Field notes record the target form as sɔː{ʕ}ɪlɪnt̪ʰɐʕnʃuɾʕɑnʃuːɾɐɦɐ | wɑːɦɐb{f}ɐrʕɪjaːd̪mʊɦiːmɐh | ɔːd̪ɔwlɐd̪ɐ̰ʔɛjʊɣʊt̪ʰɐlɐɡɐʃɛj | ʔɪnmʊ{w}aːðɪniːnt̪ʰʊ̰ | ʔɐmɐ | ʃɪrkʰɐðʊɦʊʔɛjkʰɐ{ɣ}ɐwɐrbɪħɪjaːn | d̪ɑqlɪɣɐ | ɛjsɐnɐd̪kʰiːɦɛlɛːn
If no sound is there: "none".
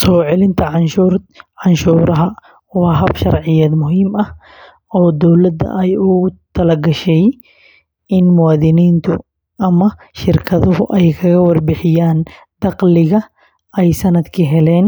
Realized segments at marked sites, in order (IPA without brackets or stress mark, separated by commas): ʕ, ʃ, w, ɣ